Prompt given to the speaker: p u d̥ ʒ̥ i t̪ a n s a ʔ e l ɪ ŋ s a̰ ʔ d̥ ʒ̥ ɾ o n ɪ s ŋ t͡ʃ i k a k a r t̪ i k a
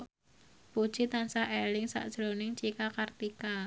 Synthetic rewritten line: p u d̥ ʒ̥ i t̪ a n s a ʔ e l ɪ ŋ s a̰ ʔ d̥ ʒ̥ ɾ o n ɪ ŋ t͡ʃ i k a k a r t̪ i k a